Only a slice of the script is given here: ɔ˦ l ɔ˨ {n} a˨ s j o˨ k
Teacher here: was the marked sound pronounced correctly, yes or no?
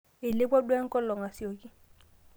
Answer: no